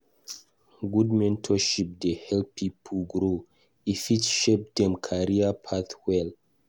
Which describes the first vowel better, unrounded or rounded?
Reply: rounded